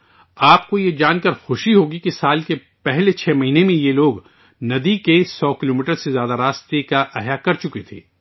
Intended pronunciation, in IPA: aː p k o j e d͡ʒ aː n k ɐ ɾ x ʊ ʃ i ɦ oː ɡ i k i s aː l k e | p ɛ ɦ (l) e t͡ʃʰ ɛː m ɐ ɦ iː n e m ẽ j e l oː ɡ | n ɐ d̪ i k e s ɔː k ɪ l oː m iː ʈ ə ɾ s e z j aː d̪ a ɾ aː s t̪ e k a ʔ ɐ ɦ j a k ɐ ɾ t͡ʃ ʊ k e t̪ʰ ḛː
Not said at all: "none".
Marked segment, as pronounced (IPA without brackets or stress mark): l